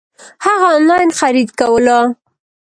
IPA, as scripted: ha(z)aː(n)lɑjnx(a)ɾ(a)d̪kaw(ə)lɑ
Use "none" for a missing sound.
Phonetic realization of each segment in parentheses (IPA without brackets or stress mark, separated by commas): ɣ, n, a, i, ə